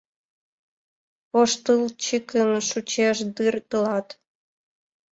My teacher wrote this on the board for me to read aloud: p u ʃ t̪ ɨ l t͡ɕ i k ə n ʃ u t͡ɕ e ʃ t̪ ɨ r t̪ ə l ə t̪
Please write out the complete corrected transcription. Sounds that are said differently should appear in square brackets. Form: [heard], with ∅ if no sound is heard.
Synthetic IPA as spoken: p [o] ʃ t̪ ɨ l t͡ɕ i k ə n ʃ u t͡ɕ e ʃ [d̪] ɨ r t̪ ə l [ɑ] t̪